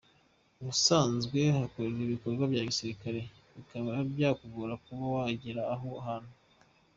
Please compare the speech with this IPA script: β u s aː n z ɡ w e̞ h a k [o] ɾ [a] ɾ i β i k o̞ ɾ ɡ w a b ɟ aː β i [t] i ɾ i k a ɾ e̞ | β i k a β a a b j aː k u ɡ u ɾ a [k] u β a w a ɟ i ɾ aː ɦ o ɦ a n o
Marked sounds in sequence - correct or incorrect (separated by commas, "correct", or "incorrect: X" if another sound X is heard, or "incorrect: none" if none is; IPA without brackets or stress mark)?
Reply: correct, incorrect: e, incorrect: s, correct